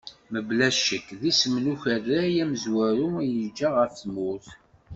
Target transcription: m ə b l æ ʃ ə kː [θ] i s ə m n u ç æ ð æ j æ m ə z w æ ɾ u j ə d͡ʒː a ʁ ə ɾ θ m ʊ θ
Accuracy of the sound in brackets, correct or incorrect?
incorrect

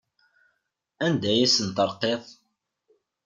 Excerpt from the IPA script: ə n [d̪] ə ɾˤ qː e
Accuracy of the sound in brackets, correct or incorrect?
incorrect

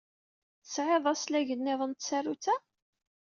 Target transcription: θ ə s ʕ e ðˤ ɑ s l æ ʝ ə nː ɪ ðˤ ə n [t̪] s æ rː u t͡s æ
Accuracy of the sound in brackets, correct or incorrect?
correct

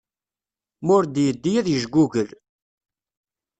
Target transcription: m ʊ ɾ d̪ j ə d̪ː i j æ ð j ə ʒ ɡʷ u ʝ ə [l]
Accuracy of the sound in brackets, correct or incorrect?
correct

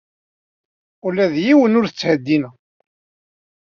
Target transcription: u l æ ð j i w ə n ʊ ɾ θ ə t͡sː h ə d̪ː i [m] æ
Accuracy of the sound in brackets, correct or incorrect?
incorrect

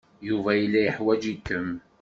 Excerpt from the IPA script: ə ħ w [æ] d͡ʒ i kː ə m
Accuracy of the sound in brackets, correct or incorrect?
correct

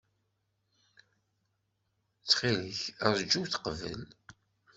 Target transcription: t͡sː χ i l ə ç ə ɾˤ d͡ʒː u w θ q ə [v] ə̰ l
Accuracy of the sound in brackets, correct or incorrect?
correct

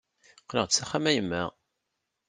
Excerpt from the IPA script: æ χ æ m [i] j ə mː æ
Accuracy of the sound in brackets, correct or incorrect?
incorrect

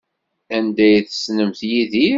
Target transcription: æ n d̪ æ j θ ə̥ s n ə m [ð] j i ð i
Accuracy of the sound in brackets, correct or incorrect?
incorrect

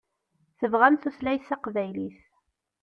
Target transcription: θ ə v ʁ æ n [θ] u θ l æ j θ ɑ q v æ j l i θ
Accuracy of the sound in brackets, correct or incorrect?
correct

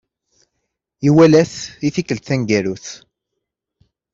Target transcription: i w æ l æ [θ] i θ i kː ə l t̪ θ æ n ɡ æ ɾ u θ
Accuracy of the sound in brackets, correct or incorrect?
correct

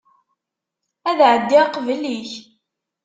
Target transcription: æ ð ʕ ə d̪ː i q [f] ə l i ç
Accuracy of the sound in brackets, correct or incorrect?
incorrect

